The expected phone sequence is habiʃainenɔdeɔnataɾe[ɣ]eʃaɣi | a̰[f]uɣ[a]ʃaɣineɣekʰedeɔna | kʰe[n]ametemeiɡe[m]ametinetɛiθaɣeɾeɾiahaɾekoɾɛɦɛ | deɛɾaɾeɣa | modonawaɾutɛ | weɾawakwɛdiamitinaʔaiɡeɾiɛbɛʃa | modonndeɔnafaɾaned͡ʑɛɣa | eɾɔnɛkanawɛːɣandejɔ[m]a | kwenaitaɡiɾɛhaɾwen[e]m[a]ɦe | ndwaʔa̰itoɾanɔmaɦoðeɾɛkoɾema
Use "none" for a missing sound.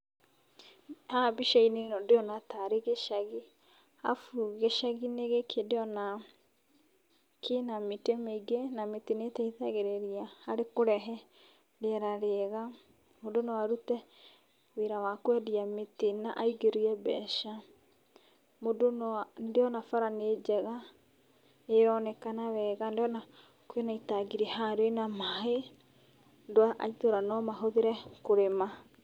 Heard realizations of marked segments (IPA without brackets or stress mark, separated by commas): ɣ, f, e, n, n, n, a, a